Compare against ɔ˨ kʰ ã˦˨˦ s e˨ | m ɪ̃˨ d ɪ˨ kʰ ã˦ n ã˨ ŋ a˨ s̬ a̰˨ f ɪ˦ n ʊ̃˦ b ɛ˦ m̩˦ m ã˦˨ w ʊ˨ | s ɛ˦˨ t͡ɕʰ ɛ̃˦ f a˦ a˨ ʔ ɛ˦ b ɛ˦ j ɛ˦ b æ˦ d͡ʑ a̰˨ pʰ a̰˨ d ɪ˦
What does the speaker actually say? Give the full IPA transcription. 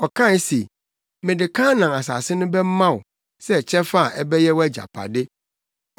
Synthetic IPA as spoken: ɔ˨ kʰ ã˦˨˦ s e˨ | m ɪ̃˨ d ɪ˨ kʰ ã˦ n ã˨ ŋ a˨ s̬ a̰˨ s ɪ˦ n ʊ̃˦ b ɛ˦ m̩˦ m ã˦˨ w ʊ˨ | s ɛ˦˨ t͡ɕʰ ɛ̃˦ f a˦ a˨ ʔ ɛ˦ b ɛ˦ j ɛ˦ w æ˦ d͡ʑ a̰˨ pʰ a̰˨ d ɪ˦